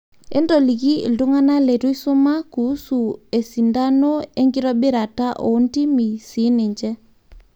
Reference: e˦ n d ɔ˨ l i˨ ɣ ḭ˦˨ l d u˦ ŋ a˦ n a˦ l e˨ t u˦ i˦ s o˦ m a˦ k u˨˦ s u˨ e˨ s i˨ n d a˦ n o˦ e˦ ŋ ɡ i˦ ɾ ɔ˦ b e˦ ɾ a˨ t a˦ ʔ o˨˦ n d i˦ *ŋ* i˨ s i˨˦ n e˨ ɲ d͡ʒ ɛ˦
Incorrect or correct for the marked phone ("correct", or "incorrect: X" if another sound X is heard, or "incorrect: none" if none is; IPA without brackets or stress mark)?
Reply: incorrect: m